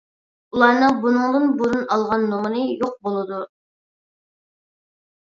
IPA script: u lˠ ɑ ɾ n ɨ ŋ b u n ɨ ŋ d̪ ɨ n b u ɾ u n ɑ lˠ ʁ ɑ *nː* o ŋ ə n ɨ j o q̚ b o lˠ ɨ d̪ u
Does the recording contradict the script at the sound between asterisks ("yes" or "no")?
no